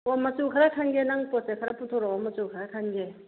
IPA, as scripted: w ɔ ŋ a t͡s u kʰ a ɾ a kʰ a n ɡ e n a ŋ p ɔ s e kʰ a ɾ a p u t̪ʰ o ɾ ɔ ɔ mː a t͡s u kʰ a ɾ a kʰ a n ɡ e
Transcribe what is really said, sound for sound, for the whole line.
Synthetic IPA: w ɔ m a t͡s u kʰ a ɾ a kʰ a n ɡ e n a ŋ p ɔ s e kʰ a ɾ a p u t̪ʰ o ɾ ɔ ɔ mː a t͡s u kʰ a ɾ a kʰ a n ɡ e

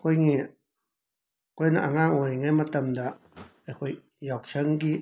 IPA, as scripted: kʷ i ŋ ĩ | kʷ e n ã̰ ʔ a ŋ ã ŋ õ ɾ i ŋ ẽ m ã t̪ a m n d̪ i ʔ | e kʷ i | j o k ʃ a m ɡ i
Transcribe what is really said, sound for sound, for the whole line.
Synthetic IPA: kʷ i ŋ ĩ | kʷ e n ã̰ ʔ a ŋ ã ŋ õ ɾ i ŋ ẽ m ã t̪ a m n d̪ a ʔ | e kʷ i | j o k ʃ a ŋ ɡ i

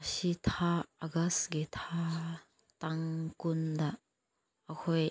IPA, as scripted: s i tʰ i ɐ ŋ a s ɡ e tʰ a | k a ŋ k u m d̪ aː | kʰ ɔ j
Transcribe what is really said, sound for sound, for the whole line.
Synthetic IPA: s i tʰ a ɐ ɡ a s ɡ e tʰ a | t a ŋ k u n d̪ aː | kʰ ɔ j

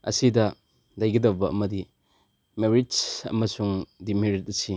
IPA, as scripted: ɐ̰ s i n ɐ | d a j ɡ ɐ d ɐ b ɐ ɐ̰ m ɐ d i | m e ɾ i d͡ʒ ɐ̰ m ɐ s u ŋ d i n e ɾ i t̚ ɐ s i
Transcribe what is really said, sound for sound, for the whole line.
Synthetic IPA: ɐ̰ s i d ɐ | d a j ɡ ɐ d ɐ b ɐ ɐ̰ m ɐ d i | m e ɾ i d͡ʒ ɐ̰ m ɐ s u ŋ d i m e ɾ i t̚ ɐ s i

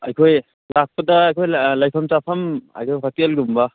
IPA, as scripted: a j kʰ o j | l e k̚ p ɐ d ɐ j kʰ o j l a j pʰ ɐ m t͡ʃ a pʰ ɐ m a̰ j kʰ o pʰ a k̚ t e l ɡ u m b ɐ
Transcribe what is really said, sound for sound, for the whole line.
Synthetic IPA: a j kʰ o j | l a k̚ p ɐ d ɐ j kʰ o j l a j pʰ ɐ m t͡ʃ a pʰ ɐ m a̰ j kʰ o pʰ a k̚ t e l ɡ u m b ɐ

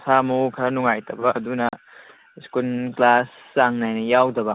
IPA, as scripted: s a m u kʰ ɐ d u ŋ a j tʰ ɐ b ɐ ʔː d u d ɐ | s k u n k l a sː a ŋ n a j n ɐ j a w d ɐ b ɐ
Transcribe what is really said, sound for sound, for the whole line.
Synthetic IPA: s a m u kʰ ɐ n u ŋ a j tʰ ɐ b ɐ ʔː d u n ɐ | s k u n k l a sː a ŋ n a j n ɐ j a w d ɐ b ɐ

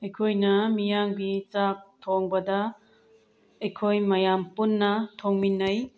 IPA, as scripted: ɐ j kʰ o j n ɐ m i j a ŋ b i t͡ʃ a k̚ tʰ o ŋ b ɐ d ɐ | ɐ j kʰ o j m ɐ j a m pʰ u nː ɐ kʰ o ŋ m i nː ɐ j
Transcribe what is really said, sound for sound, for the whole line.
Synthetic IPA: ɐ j kʰ o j n ɐ m i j a ŋ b i t͡ʃ a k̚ tʰ o ŋ b ɐ d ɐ | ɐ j kʰ o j m ɐ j a m p u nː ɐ tʰ o ŋ m i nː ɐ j

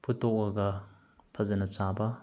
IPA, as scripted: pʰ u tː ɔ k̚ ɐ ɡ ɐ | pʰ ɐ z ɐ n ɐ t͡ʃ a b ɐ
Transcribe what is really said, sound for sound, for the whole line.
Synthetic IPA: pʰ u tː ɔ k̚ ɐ ɡ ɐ | pʰ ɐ z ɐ n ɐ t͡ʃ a b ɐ

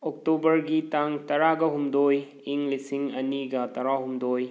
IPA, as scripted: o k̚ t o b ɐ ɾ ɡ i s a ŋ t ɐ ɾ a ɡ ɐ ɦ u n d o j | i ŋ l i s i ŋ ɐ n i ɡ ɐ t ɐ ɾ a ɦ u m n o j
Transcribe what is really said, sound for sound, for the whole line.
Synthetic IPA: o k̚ t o b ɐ ɾ ɡ i t a ŋ t ɐ ɾ a ɡ ɐ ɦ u m d o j | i ŋ l i s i ŋ ɐ n i ɡ ɐ t ɐ ɾ a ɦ u m d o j

